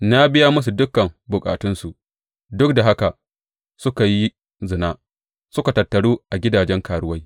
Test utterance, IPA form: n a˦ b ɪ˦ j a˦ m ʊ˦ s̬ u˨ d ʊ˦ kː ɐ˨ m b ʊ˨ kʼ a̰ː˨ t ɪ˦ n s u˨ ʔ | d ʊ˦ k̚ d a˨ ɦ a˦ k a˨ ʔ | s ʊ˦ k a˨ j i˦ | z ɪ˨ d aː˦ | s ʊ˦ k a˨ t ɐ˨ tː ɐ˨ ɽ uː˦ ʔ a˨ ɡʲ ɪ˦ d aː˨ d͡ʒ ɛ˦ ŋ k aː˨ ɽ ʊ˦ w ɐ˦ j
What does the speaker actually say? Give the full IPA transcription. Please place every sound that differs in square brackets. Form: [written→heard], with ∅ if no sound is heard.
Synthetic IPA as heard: n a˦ b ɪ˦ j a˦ m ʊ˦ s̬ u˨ d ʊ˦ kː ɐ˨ m b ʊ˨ kʼ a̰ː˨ t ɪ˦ n s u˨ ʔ | d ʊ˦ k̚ d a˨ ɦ a˦ k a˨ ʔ | s ʊ˦ k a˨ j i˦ | z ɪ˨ [d→n] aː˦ | s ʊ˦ k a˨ t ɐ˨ tː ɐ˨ ɽ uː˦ ʔ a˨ ɡʲ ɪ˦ d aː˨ d͡ʒ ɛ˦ ŋ k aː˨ ɽ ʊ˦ w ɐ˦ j